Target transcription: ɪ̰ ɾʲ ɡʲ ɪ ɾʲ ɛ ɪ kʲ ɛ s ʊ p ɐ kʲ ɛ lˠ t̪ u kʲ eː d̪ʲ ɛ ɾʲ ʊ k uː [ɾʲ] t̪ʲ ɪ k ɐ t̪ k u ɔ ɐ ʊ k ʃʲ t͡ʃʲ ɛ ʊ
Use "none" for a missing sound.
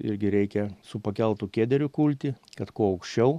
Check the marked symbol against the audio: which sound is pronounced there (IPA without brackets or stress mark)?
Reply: lʲ